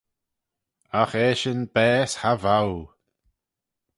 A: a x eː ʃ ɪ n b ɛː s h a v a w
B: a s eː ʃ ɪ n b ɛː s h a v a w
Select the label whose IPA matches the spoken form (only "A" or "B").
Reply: A